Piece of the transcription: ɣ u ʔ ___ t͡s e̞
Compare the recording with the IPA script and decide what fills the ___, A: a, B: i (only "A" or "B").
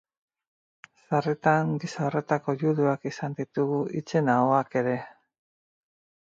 B